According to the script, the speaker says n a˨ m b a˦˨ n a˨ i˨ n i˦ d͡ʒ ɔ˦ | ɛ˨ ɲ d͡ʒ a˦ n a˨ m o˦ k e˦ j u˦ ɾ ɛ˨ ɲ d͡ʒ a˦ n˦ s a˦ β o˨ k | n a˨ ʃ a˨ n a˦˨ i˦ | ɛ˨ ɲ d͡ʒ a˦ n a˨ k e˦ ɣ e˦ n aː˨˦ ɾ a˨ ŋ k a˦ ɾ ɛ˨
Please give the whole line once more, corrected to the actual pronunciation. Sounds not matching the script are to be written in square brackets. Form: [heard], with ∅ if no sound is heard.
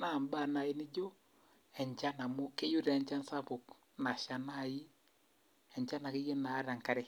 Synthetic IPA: n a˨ m b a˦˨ n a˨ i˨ n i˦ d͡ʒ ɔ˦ | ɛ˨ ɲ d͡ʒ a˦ n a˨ m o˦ k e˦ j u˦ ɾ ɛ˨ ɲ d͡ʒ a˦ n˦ s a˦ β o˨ k | n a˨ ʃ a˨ n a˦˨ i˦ | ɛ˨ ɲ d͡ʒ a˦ n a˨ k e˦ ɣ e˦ n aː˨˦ ɾ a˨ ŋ k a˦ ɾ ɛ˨

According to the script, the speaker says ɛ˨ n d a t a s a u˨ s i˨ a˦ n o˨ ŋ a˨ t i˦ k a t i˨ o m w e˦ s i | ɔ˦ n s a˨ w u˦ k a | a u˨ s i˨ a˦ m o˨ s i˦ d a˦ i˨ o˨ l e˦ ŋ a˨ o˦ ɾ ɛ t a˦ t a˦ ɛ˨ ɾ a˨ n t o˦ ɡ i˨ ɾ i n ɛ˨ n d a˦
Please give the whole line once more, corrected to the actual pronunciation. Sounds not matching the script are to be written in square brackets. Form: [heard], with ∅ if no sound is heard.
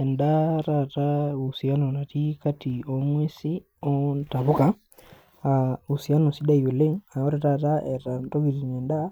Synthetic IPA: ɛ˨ n d a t a [t] a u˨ s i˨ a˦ n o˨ [n] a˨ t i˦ k a t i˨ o m w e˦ s i | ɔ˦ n [t] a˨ [β] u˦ k a | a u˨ s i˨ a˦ [n] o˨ s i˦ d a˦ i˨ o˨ l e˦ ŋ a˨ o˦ ɾ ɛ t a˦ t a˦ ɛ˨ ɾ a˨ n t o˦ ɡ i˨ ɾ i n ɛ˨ n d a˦

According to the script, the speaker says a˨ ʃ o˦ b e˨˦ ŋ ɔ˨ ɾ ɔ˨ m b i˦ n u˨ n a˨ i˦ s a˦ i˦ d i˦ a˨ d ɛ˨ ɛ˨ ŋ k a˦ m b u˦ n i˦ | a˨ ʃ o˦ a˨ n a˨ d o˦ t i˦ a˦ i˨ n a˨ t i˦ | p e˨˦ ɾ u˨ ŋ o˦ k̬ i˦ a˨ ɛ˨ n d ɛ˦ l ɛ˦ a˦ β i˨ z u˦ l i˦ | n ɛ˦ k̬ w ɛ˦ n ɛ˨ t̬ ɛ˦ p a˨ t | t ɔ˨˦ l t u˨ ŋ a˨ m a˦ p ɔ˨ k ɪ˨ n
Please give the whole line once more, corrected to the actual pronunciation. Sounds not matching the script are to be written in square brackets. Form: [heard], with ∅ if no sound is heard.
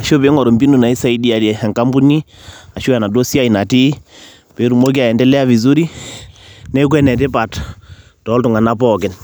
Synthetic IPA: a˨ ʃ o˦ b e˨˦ ŋ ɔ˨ ɾ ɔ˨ m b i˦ n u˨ n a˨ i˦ s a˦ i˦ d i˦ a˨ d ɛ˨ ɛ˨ ŋ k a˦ m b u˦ n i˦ | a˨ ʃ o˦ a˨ n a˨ d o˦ [s] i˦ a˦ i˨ n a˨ t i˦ | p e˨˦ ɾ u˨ [m] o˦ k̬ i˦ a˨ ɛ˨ n d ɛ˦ l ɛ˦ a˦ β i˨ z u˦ [ɾ] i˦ | n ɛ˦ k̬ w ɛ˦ n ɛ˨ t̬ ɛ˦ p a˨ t | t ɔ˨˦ l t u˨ ŋ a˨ [n] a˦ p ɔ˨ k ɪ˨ n

